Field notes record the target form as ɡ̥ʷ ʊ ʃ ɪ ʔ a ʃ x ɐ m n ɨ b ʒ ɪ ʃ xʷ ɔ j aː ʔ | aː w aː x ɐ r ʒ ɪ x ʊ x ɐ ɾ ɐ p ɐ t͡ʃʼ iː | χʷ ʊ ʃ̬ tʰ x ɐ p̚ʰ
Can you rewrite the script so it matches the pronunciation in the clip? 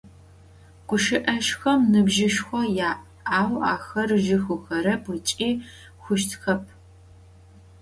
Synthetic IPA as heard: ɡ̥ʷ ʊ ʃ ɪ ʔ ɐ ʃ x ɐ m n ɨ b ʒ ɪ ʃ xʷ ɔ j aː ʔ | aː w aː x ɐ r ʒ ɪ x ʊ x ɐ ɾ ɐ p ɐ t͡ʃʼ iː | xʷ ʊ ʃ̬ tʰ x ɐ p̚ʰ